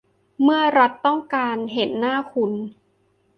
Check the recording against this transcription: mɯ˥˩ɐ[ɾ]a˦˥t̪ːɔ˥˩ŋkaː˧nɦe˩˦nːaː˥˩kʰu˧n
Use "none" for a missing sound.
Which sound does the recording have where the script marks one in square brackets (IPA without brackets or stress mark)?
ɾ